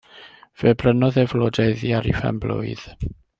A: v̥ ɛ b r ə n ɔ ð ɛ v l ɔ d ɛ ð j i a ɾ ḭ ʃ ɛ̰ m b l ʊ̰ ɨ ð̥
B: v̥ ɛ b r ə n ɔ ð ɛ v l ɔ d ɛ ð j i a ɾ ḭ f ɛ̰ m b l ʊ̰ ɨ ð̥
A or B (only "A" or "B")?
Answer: B